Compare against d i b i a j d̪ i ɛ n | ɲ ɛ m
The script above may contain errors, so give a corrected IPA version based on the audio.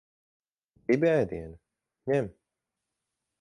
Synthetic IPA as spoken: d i b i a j d̪ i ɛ n | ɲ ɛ m